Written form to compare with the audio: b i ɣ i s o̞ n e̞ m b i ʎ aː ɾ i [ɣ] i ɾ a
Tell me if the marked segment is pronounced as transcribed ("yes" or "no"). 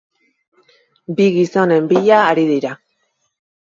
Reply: no